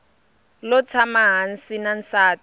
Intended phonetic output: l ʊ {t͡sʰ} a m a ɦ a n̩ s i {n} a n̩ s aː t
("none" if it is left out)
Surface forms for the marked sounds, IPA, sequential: t͡sʰ, n

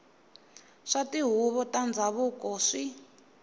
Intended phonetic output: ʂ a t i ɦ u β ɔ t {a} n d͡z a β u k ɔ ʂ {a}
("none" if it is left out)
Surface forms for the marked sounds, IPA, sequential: a, i

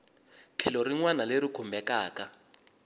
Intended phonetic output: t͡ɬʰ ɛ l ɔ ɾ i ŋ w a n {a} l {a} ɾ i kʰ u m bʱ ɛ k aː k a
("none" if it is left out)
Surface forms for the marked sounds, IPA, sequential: a, e

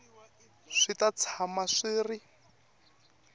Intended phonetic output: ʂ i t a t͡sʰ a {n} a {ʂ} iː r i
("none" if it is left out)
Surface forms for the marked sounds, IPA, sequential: m, ʂ

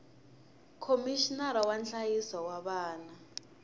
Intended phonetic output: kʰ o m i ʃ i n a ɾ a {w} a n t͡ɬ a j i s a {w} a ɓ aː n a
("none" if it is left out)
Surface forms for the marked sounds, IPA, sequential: w, w

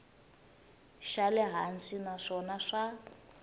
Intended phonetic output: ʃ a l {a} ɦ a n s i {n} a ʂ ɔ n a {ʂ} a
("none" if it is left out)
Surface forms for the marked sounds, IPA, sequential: ɛ, n, ʂ

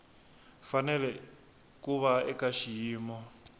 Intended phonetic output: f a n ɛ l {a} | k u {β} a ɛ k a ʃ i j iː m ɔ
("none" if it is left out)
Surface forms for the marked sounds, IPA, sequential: ɛ, β

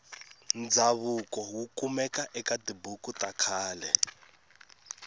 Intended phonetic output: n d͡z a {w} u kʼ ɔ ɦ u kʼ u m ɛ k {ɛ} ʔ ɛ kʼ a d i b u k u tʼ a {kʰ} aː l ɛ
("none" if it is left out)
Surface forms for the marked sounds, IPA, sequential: β, a, kʰ

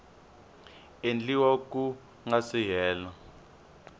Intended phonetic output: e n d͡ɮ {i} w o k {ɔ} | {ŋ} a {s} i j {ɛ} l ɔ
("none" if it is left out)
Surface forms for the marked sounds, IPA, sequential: i, u, ŋ, s, ɛː

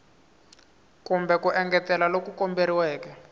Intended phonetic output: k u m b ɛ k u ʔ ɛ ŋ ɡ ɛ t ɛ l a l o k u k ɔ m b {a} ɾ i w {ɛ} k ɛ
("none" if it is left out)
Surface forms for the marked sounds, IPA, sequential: e, ɛː

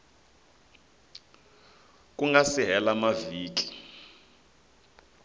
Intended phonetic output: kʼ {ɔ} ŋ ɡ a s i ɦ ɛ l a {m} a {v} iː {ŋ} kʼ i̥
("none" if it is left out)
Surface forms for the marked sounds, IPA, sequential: u, m, v, none

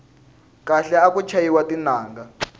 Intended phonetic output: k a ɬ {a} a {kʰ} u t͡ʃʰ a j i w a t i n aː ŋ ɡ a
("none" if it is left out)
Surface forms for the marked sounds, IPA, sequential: ɛ, k

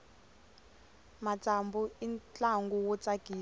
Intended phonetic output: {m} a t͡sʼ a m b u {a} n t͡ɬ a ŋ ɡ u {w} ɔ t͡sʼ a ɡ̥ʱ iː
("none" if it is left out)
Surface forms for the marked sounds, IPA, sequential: m, i, w

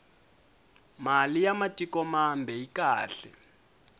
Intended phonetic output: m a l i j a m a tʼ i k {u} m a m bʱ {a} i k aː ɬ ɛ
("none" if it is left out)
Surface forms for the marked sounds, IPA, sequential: ɔ, ɛ

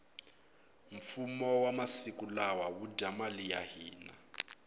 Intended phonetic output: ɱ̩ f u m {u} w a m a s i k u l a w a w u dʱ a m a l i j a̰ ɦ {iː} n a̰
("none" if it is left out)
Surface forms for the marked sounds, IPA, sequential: ɔ, iː

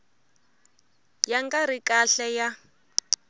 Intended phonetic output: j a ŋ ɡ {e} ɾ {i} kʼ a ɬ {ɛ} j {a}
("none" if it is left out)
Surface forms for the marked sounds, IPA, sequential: a, i, ɛ, a

